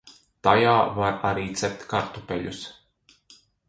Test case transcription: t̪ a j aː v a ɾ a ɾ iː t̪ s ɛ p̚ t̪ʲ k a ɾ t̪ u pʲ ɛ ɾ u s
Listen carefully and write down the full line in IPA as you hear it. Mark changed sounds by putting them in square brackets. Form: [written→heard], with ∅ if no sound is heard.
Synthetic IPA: t̪ a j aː v a ɾ a ɾ iː t̪ s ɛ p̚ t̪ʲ k a ɾ t̪ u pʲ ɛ [ɾ→ʎ] u s